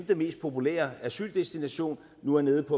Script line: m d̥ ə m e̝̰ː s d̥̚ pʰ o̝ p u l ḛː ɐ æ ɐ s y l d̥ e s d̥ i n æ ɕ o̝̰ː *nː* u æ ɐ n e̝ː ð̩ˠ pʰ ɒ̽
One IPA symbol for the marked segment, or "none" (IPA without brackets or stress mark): nː